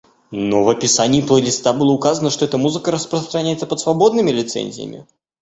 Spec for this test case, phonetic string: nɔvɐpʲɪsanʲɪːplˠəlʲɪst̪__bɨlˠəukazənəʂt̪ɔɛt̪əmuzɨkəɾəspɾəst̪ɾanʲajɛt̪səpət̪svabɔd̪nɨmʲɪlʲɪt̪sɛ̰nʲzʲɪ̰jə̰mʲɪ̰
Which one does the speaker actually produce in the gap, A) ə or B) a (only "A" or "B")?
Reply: B